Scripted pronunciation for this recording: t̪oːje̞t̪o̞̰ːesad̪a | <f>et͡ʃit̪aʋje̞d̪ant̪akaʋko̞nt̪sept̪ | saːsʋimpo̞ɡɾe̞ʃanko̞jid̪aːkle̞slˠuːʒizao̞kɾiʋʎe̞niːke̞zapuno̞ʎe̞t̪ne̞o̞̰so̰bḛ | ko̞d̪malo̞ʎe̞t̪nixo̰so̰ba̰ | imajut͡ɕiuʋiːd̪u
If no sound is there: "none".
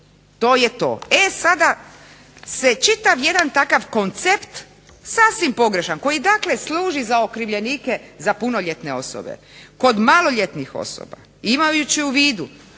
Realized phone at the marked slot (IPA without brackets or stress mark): s